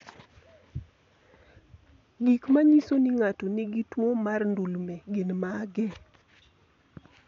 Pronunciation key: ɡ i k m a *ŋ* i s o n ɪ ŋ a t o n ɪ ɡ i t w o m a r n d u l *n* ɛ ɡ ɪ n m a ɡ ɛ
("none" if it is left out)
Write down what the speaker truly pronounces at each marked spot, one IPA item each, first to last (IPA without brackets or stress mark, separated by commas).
ɲ, m